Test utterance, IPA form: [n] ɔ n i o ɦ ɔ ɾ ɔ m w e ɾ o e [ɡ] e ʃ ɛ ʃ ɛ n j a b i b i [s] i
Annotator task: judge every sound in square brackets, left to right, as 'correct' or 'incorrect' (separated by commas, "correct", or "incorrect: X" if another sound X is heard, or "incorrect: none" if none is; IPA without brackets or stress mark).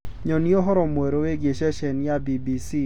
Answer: incorrect: ɲ, correct, correct